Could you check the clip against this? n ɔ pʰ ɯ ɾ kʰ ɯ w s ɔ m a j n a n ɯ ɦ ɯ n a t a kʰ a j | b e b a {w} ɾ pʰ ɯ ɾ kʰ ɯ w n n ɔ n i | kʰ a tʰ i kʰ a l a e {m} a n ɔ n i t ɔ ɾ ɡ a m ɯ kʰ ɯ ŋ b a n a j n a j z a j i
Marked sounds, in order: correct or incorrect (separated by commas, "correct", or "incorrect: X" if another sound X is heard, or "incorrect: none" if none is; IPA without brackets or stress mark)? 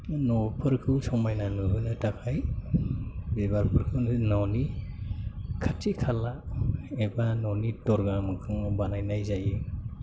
incorrect: none, incorrect: b